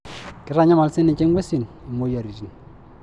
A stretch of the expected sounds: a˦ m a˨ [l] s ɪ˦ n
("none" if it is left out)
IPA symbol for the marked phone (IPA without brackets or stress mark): l